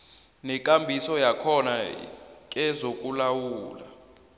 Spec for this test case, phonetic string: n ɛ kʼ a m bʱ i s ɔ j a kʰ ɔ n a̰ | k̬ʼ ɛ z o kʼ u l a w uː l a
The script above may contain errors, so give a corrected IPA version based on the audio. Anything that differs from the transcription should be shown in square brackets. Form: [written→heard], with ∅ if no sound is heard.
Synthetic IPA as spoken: n ɛ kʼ a m bʱ i s ɔ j a kʰ ɔ n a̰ | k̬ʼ ɛ z o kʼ u l a w uː l a

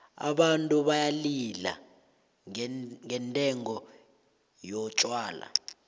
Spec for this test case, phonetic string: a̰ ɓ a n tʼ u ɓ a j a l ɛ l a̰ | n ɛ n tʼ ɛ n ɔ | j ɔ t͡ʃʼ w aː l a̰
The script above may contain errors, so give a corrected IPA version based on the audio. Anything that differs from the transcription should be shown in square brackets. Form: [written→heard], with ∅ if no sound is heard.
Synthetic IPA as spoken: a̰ ɓ a n tʼ u ɓ a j a l [ɛ→i] l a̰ | [n→ŋ] ɛ n tʼ ɛ [n→ŋ] ɔ | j ɔ t͡ʃʼ w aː l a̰

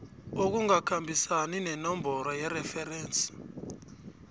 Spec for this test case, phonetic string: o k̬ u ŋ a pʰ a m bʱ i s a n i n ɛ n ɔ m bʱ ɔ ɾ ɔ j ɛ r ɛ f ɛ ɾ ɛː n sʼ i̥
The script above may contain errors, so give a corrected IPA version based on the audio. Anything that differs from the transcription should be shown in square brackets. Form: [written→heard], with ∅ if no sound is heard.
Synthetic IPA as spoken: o k̬ u ŋ a [pʰ→kʰ] a m bʱ i s a n i n ɛ n ɔ m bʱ ɔ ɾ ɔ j ɛ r ɛ f ɛ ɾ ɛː n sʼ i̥

